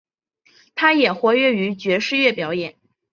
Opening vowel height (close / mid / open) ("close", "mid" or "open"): open